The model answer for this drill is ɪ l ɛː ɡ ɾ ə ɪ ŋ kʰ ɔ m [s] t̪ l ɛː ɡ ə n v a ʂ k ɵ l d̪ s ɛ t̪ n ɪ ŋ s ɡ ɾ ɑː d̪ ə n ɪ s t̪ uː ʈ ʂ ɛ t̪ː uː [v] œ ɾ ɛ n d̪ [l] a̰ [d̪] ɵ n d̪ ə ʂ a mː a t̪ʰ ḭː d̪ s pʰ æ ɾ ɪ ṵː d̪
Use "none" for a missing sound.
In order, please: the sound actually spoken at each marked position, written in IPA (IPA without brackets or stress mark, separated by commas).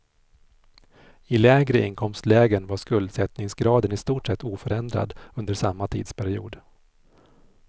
s, f, ɾ, d̪